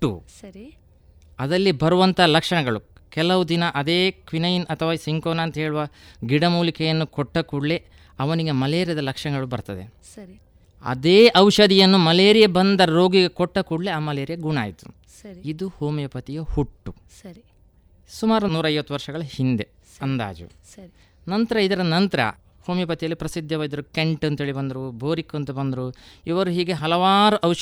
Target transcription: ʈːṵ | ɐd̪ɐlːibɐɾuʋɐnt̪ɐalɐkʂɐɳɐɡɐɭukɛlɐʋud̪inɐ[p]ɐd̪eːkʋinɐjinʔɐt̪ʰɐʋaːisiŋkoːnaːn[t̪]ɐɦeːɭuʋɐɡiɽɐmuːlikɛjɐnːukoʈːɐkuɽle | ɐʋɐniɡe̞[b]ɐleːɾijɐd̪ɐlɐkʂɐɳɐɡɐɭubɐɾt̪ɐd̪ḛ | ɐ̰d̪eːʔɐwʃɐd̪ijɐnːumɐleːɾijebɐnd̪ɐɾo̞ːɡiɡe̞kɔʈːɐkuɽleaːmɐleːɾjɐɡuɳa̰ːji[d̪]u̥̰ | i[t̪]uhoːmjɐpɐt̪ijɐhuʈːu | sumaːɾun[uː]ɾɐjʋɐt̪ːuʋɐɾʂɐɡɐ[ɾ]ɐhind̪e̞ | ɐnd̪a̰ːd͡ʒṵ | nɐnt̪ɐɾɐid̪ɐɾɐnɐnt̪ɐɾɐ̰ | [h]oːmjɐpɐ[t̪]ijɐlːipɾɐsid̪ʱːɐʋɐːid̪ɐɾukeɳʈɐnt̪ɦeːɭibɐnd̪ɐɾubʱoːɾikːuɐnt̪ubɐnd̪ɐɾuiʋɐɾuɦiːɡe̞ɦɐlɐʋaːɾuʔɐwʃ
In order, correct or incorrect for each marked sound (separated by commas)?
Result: incorrect, correct, incorrect, incorrect, incorrect, correct, incorrect, correct, correct